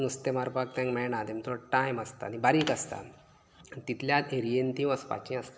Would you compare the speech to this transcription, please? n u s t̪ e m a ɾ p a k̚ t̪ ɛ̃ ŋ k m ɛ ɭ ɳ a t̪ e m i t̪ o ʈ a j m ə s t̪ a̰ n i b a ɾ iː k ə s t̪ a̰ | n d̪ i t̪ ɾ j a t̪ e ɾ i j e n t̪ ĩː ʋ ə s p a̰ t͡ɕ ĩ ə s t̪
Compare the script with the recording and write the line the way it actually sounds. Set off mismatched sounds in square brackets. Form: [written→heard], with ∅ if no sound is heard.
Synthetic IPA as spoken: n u s t̪ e m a ɾ p a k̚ t̪ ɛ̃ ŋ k m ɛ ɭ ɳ a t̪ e m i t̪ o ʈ a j m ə s t̪ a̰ n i b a ɾ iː k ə s t̪ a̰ | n [d̪→t̪] i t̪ [ɾ→l] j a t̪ e ɾ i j e n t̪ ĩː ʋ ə s p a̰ t͡ɕ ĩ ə s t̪